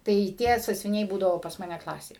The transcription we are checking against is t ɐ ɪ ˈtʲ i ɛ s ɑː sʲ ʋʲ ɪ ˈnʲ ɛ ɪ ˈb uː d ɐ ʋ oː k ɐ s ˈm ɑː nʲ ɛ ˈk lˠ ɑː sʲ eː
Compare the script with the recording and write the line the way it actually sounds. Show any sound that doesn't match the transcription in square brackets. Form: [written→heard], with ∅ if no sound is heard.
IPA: t ɐ ɪ ˈtʲ i ɛ s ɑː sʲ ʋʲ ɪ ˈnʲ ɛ ɪ ˈb uː d ɐ ʋ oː [k→p] ɐ s ˈm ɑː nʲ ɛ ˈk lˠ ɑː sʲ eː

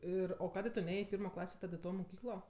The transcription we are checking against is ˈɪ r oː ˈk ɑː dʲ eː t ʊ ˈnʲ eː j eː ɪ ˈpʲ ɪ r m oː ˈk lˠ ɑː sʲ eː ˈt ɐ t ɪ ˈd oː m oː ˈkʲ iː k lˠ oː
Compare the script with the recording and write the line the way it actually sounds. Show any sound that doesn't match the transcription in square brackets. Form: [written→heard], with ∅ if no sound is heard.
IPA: ˈɪ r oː ˈk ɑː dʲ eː t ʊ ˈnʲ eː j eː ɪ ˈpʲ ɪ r m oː ˈk lˠ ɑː sʲ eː ˈt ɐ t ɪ [ˈd→ˈt] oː m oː ˈkʲ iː k lˠ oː

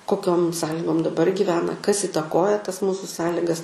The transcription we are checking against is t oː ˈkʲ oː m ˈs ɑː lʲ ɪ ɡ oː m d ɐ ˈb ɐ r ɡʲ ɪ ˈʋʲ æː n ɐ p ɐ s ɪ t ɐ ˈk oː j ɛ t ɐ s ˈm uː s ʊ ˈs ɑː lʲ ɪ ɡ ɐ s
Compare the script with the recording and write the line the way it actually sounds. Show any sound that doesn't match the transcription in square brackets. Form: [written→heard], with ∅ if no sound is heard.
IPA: [t→k] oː ˈkʲ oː m ˈs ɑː lʲ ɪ ɡ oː m d ɐ ˈb ɐ r ɡʲ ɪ ˈʋʲ æː n ɐ [p→k] ɐ s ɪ t ɐ ˈk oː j ɛ t ɐ s ˈm uː s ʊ ˈs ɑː lʲ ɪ ɡ ɐ s

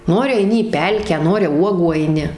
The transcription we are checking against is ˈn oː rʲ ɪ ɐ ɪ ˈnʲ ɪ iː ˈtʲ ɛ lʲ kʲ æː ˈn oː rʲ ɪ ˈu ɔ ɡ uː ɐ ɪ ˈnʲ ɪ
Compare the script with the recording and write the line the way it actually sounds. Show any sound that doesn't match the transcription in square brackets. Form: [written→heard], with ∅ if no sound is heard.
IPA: ˈn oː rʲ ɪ ɐ ɪ ˈnʲ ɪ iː [ˈtʲ→ˈpʲ] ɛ lʲ kʲ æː ˈn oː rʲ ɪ ˈu ɔ ɡ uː ɐ ɪ ˈnʲ ɪ

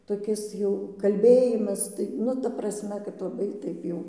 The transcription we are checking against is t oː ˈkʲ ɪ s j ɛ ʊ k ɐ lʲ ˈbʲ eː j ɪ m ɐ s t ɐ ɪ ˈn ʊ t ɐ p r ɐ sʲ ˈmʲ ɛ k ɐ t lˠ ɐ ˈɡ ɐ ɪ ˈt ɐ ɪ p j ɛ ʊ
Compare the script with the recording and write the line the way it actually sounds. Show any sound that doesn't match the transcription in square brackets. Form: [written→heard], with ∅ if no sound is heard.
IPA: t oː ˈkʲ ɪ s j ɛ ʊ k ɐ lʲ ˈbʲ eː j ɪ m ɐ s t ɐ ɪ ˈn ʊ t ɐ p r ɐ sʲ ˈmʲ ɛ k ɐ t lˠ ɐ [ˈɡ→ˈb] ɐ ɪ ˈt ɐ ɪ p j ɛ ʊ

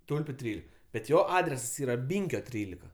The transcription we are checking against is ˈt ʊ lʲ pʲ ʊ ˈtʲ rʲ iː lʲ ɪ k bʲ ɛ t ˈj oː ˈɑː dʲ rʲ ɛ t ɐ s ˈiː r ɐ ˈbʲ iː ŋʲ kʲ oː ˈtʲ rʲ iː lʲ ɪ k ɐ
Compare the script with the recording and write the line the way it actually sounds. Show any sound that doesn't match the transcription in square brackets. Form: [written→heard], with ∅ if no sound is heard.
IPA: ˈt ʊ lʲ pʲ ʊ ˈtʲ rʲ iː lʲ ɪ k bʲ ɛ t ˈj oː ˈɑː dʲ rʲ ɛ [t→s] ɐ s ˈiː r ɐ ˈbʲ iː ŋʲ kʲ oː ˈtʲ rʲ iː lʲ ɪ k ɐ

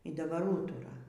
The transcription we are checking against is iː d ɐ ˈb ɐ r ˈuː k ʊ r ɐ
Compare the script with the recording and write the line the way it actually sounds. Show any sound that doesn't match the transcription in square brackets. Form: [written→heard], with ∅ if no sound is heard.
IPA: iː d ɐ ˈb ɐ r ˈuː [k→t] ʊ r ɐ

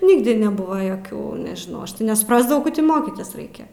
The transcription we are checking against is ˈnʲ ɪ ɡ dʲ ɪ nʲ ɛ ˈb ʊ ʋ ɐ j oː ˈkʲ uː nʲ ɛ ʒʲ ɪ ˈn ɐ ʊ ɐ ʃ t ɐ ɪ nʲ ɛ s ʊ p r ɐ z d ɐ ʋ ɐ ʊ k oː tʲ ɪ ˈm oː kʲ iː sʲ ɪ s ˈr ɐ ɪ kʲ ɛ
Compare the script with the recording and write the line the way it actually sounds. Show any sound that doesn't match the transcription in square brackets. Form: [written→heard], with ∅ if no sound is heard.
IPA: ˈnʲ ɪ ɡ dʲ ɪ nʲ ɛ ˈb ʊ ʋ ɐ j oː ˈkʲ uː nʲ ɛ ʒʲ ɪ ˈn ɐ ʊ ɐ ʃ t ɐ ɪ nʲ ɛ s ʊ p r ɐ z d ɐ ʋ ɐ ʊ k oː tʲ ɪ ˈm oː kʲ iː [sʲ→tʲ] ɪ s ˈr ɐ ɪ kʲ ɛ

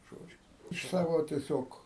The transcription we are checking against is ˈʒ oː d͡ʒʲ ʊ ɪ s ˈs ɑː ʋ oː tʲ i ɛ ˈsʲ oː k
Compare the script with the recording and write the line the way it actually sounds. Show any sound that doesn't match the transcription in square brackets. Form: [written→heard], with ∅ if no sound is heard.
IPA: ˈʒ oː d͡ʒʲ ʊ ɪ [s→ʃ] ˈs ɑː ʋ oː tʲ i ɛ ˈsʲ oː k

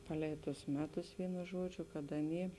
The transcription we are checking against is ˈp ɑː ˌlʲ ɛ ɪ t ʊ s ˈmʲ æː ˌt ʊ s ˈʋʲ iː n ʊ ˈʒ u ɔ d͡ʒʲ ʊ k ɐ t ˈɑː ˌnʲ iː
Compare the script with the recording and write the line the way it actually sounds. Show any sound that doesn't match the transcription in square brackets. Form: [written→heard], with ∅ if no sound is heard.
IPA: ˈp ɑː ˌlʲ ɛ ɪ t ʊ s ˈmʲ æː ˌt ʊ s ˈʋʲ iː n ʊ ˈʒ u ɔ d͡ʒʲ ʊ k ɐ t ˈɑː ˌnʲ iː

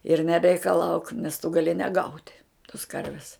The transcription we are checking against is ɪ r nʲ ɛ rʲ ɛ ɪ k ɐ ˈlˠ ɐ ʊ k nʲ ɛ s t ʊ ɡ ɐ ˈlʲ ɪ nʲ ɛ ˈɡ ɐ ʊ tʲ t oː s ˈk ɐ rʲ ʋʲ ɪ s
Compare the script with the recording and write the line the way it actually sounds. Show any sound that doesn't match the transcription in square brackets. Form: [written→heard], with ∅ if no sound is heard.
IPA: ɪ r nʲ ɛ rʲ ɛ ɪ k ɐ ˈlˠ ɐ ʊ k nʲ ɛ s t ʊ ɡ ɐ ˈlʲ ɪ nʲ ɛ ˈɡ ɐ ʊ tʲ t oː s ˈk ɐ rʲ ʋʲ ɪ s

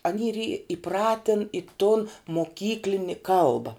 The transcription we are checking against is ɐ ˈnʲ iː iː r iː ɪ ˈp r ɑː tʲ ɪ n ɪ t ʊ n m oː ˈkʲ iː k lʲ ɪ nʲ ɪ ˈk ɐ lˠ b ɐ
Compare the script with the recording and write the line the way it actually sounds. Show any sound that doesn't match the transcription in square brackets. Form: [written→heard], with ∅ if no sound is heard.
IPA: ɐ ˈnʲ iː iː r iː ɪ ˈp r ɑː tʲ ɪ n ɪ t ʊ n m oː ˈkʲ iː k lʲ ɪ nʲ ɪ ˈk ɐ lˠ b ɐ

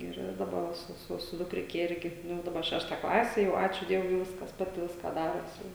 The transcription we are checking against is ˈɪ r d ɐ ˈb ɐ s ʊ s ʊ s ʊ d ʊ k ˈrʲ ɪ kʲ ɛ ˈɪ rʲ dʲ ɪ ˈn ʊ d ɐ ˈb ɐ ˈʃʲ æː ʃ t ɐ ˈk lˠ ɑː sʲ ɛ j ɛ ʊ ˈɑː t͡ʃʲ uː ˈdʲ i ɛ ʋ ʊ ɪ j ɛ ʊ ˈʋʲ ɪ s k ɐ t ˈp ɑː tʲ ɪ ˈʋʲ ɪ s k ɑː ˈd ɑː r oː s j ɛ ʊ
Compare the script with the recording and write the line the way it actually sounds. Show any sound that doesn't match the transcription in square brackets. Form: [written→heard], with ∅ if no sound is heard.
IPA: ˈɪ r d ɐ ˈb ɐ s ʊ s ʊ s ʊ d ʊ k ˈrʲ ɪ kʲ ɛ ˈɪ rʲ [dʲ→ɡʲ] ɪ ˈn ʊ d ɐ ˈb ɐ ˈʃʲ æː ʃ t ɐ ˈk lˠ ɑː sʲ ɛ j ɛ ʊ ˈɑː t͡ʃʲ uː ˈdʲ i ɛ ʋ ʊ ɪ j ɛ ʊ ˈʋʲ ɪ s k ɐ [t→s] ˈp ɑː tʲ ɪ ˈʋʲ ɪ s k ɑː ˈd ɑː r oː s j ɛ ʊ

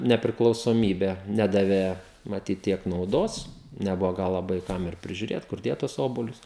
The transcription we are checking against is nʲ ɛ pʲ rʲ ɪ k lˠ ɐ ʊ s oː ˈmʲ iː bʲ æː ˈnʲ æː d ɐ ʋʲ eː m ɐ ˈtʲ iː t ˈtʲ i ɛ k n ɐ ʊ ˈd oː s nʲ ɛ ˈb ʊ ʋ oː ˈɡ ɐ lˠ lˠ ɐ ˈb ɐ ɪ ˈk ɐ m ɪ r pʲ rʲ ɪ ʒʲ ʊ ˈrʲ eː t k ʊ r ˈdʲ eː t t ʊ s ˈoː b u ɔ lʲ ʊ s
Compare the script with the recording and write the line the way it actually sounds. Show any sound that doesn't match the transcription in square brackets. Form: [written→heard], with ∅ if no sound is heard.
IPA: nʲ ɛ pʲ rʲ ɪ k lˠ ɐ ʊ s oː ˈmʲ iː bʲ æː ˈnʲ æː d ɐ ʋʲ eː m ɐ ˈtʲ iː t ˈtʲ i ɛ k n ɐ ʊ ˈd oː s nʲ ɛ ˈb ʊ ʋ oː ˈɡ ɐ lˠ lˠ ɐ ˈb ɐ ɪ ˈk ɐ m ɪ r pʲ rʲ ɪ ʒʲ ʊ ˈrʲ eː t k ʊ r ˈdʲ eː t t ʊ s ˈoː b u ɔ lʲ ʊ s

